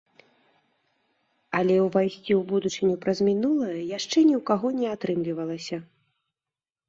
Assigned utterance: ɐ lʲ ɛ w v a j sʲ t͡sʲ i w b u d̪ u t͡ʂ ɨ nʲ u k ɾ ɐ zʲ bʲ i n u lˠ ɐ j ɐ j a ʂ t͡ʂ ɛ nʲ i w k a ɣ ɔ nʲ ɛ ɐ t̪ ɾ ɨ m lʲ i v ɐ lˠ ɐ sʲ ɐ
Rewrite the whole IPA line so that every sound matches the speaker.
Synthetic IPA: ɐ lʲ ɛ w v a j sʲ t͡sʲ i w b u d̪ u t͡ʂ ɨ nʲ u p ɾ ɐ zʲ mʲ i n u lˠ ɐ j ɐ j a ʂ t͡ʂ ɛ nʲ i w k a ɣ ɔ nʲ ɛ a t̪ ɾ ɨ m lʲ i v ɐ lˠ ɐ sʲ ɐ